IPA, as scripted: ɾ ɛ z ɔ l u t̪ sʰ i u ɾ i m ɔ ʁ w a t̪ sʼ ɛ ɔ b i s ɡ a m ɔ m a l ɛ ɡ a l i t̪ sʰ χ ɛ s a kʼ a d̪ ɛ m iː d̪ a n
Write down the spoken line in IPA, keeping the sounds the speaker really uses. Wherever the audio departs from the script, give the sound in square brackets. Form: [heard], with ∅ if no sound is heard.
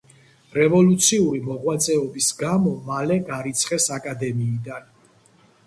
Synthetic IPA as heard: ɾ ɛ [v] ɔ l u t̪ sʰ i u ɾ i m ɔ ʁ w a t̪ sʼ ɛ ɔ b i s ɡ a m ɔ m a l ɛ ɡ a [ɾ] i t̪ sʰ χ ɛ s a kʼ a d̪ ɛ m iː d̪ a n